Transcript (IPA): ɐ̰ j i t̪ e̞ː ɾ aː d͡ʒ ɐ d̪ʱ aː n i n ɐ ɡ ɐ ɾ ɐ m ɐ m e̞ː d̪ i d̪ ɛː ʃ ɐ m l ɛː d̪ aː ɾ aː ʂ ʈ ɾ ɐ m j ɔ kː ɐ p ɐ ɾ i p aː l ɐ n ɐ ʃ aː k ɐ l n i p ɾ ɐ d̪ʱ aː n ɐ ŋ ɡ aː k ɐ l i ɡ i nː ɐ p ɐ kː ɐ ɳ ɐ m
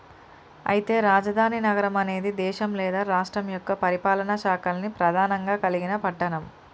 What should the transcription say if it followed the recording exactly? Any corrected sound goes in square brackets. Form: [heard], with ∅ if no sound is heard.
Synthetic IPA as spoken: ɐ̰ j i t̪ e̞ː ɾ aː d͡ʒ ɐ d̪ʱ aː n i n ɐ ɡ ɐ ɾ ɐ m ɐ [n] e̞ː d̪ i d̪ ɛː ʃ ɐ m l ɛː d̪ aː ɾ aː ʂ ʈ ɾ ɐ m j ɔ kː ɐ p ɐ ɾ i p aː l ɐ n ɐ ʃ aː k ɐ l n i p ɾ ɐ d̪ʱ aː n ɐ ŋ ɡ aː k ɐ l i ɡ i [n] ɐ p ɐ [ʈː] ɐ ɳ ɐ m